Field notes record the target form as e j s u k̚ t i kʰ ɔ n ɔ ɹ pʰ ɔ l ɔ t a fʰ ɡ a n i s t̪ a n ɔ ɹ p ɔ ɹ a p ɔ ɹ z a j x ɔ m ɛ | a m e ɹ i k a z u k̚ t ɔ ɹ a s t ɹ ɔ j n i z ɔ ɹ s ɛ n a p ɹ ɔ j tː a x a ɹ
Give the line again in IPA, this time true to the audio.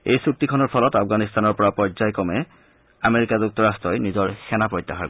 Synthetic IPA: e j s u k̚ t i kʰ ɔ n ɔ ɹ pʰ ɔ l ɔ t a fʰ ɡ a n i s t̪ a n ɔ ɹ p ɔ ɹ a p ɔ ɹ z a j k ɔ m ɛ | a m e ɹ i k a z u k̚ t ɔ ɹ a s t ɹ ɔ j n i z ɔ ɹ s ɛ n a p ɹ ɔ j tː a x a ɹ